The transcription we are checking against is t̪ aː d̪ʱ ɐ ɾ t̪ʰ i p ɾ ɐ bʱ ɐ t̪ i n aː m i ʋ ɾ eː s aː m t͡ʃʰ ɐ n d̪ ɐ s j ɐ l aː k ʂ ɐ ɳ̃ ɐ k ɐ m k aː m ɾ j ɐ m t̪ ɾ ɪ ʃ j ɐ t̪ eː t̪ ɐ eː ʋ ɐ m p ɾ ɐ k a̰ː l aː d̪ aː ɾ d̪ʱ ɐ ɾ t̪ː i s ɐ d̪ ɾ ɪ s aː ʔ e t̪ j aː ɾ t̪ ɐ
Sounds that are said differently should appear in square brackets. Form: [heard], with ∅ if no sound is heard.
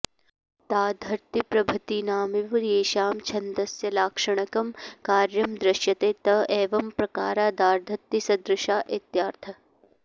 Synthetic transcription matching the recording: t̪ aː d̪ʱ ɐ ɾ [t̪] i p ɾ ɐ bʱ ɐ t̪ i n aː m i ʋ ɾ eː [ʃ] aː m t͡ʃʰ ɐ n d̪ ɐ s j ɐ l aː k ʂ ɐ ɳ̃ ɐ k ɐ m k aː [∅] ɾ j ɐ m [d̪] ɾ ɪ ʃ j ɐ t̪ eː t̪ ɐ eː ʋ ɐ m p ɾ ɐ k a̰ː [ɾ] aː d̪ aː ɾ d̪ʱ ɐ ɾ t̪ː i s ɐ d̪ ɾ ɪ [ʃ] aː ʔ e t̪ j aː ɾ [t̪ʰ] ɐ

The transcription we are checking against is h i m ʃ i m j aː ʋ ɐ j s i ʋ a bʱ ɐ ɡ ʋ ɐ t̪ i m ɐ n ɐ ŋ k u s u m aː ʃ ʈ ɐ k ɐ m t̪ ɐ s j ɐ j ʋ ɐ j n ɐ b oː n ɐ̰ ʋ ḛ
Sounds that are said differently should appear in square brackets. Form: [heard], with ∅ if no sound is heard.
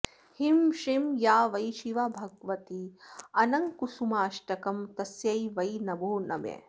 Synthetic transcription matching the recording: h i m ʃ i m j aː ʋ ɐ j [ʃ] i ʋ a bʱ ɐ ɡ ʋ ɐ t̪ i [∅] ɐ n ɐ ŋ k u s u m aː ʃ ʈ ɐ k ɐ m t̪ ɐ s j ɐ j ʋ ɐ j n ɐ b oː n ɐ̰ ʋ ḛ

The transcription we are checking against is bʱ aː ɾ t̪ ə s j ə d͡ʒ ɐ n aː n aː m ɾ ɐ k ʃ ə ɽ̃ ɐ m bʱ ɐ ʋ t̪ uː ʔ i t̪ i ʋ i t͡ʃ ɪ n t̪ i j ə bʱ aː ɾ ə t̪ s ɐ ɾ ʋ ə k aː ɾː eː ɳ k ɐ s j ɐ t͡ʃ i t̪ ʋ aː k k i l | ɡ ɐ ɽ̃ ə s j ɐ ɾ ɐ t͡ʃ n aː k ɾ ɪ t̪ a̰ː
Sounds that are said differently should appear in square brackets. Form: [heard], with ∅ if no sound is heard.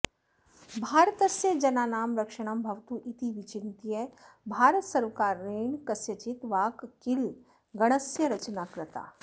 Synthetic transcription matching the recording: bʱ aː ɾ t̪ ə s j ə d͡ʒ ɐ n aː n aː m ɾ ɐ k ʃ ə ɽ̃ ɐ m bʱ ɐ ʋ t̪ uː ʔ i t̪ i ʋ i t͡ʃ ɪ n t̪ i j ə bʱ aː ɾ ə t̪ s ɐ ɾ ʋ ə k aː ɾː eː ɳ k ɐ s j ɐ t͡ʃ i t̪ ʋ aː k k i l | ɡ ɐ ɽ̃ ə s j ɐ ɾ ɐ t͡ʃ n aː k ɾ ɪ t̪ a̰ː

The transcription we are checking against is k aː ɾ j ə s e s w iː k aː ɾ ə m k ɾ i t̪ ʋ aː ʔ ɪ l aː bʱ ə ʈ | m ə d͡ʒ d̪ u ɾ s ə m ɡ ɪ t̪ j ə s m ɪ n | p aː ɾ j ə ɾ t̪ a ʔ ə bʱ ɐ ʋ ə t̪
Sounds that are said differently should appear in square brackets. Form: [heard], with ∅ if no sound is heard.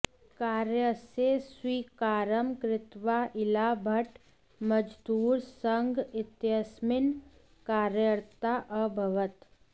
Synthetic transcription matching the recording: k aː ɾ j ə s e s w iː k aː ɾ ə m k ɾ [ɪ] t̪ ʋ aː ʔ ɪ l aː bʱ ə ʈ | m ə d͡ʒ d̪ [uː] ɾ s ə [ŋ] ɡ ɪ t̪ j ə s m ɪ n | [k] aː ɾ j ə ɾ t̪ a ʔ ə bʱ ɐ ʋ ə t̪

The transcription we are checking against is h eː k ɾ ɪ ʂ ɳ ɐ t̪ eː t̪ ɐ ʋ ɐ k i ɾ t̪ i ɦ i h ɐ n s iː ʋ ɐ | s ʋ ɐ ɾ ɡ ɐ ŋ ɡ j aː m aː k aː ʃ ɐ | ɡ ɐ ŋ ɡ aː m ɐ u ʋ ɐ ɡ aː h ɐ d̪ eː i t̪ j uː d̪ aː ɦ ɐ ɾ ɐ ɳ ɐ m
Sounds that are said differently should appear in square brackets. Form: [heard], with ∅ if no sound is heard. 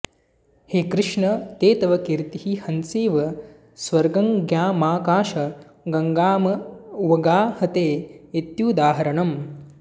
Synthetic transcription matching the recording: h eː k ɾ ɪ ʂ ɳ ɐ t̪ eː t̪ ɐ ʋ ɐ k i ɾ t̪ i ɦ i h ɐ n s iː ʋ ɐ | s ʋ ɐ ɾ ɡ ɐ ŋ ɡ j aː m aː k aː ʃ ɐ | ɡ ɐ ŋ ɡ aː m ɐ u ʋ ɐ ɡ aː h ɐ [t̪] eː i t̪ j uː d̪ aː ɦ ɐ ɾ ɐ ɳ ɐ m

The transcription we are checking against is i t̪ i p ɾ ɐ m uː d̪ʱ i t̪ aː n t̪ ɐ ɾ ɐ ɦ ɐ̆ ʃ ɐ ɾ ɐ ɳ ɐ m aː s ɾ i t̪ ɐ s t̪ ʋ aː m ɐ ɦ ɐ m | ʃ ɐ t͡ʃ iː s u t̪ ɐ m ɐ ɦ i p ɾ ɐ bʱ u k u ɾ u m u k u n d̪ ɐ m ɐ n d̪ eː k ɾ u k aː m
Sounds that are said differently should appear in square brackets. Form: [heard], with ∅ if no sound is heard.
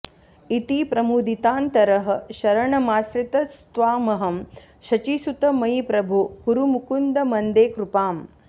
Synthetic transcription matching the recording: i t̪ i p ɾ ɐ m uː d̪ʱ i t̪ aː n t̪ ɐ ɾ ɐ ɦ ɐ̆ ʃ ɐ ɾ ɐ ɳ ɐ m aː s ɾ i t̪ ɐ s t̪ ʋ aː m ɐ ɦ ɐ m | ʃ ɐ t͡ʃ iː s u t̪ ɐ m ɐ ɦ i p ɾ ɐ bʱ u k u ɾ u m u k u n d̪ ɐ m ɐ n d̪ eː k ɾ u [p] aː m

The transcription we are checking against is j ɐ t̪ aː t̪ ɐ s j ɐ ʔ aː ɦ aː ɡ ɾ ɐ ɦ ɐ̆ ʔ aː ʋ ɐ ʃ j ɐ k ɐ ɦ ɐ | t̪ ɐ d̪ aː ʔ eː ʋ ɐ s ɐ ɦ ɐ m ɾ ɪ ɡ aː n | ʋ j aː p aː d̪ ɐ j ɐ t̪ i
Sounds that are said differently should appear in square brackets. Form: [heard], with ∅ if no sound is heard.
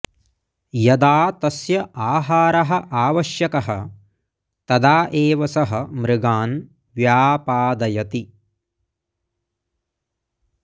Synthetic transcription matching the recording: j ɐ [d̪] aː t̪ ɐ s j ɐ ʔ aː ɦ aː [∅] ɾ ɐ ɦ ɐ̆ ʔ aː ʋ ɐ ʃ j ɐ k ɐ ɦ ɐ | t̪ ɐ d̪ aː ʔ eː ʋ ɐ s ɐ ɦ ɐ m ɾ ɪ ɡ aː n | ʋ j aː p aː d̪ ɐ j ɐ t̪ i

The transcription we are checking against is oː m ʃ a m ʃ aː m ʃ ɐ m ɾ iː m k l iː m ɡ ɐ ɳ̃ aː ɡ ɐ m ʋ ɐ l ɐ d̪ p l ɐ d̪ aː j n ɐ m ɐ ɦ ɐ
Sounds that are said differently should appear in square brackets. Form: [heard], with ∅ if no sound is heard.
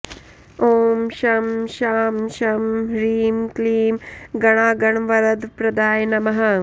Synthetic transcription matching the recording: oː m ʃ [ɐ] m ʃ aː m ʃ ɐ m ɾ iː m k l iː m ɡ ɐ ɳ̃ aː ɡ ɐ [ɳ] ʋ ɐ [ɾ] ɐ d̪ p [ɾ] ɐ d̪ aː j n ɐ m ɐ ɦ ɐ

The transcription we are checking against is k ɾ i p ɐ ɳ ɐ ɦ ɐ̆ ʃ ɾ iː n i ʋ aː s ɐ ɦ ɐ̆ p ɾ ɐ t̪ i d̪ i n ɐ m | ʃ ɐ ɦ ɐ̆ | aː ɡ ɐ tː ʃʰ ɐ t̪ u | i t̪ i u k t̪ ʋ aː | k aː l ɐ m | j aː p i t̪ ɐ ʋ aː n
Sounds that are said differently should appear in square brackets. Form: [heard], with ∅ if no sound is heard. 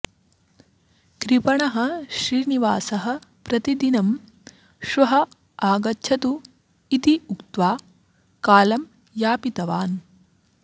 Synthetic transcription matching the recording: k ɾ i p ɐ ɳ ɐ ɦ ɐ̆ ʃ ɾ iː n i ʋ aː s ɐ ɦ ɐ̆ p ɾ ɐ t̪ i d̪ i n ɐ m | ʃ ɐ ɦ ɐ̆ | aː ɡ ɐ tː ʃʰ ɐ t̪ u | i t̪ i u k t̪ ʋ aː | k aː l ɐ m | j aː p i t̪ ɐ ʋ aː n

